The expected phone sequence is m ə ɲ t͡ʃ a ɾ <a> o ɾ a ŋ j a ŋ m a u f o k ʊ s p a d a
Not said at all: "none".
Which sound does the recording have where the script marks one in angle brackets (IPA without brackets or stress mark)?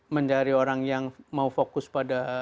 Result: i